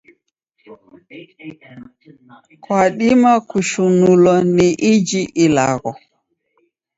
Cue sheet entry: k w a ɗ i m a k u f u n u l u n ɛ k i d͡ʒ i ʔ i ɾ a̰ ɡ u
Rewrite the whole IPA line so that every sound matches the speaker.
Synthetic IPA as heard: k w a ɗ i m a k u ʃ u n u l ɔ n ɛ ʔ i d͡ʒ i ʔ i l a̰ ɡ ɔ